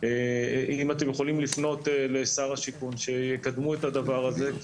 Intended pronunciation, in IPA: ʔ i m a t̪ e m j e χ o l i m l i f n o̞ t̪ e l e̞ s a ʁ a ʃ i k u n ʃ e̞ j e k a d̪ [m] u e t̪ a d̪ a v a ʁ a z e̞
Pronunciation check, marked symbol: correct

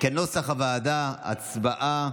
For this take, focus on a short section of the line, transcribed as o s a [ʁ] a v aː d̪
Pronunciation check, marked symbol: incorrect: χ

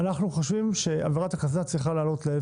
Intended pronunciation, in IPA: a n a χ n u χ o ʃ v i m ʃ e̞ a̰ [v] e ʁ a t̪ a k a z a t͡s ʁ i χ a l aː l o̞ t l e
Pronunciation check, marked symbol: correct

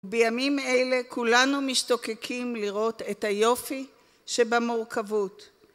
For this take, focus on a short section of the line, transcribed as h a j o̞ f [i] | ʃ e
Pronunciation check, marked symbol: correct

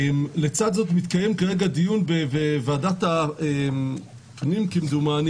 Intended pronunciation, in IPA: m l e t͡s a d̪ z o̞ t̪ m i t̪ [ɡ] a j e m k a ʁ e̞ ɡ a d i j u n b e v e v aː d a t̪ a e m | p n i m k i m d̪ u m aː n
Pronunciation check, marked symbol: incorrect: k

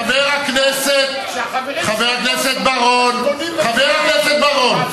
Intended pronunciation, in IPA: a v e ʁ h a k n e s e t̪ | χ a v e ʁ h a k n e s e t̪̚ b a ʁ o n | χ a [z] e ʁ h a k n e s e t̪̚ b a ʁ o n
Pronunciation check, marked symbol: incorrect: v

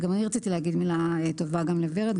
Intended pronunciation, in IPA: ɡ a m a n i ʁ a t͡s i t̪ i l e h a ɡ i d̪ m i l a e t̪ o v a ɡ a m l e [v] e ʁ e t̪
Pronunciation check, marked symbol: correct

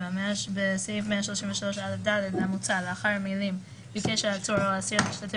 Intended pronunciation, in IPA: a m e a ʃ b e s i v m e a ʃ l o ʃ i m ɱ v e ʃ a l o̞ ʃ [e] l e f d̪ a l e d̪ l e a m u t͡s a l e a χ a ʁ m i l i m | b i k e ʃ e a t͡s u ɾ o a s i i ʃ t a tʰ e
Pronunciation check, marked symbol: incorrect: a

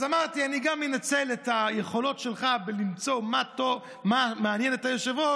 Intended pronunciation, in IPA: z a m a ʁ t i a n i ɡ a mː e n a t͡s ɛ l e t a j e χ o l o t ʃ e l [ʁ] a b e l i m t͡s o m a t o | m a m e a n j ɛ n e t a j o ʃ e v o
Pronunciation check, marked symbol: incorrect: χ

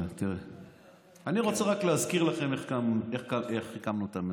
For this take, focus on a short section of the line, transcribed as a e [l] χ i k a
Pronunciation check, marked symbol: incorrect: none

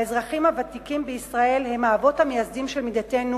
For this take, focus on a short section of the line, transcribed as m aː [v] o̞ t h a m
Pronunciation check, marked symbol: correct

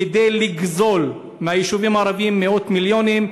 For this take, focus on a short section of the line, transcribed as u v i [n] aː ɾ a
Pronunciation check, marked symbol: incorrect: m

